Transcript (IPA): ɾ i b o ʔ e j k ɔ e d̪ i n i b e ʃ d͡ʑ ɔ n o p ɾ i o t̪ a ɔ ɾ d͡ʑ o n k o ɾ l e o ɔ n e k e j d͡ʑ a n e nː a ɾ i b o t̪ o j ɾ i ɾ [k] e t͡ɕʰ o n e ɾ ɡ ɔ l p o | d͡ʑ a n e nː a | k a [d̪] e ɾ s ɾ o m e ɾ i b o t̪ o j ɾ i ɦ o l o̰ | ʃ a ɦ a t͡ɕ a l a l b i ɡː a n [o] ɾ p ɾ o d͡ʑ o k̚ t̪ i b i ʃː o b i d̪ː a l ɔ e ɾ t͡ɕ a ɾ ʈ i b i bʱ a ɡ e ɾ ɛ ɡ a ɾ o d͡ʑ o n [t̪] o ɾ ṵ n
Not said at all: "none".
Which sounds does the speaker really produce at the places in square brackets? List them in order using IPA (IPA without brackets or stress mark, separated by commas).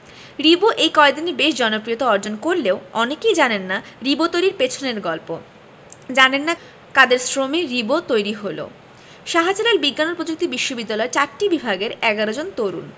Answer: p, d̪, o, t̪